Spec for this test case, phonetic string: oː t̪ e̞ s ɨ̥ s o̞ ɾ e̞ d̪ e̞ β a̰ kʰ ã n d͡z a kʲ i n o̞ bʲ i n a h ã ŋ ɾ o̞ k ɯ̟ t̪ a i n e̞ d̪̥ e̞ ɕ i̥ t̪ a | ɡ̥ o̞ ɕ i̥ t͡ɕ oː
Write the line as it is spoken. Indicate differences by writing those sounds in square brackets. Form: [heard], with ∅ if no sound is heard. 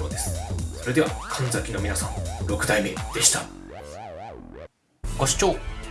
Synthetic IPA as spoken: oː [d̪] e̞ s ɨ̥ s o̞ ɾ e̞ d̪ e̞ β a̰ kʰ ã n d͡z a kʲ i n o̞ [mʲ] i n a [s] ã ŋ ɾ o̞ k ɯ̟ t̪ a i [m] e̞ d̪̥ e̞ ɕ i̥ t̪ a | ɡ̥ o̞ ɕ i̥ t͡ɕ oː